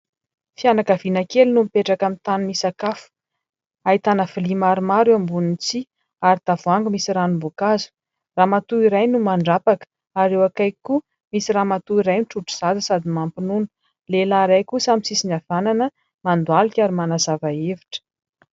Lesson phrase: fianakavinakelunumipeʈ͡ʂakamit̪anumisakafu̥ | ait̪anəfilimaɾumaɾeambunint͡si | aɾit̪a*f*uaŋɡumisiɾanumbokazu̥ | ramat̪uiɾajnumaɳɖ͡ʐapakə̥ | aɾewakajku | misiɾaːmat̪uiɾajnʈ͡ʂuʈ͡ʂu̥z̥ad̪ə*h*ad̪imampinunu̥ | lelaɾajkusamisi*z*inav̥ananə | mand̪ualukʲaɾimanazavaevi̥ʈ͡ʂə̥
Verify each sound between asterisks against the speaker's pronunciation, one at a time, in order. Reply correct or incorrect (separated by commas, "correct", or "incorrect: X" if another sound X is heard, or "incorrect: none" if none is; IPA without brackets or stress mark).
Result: incorrect: v, incorrect: s, incorrect: s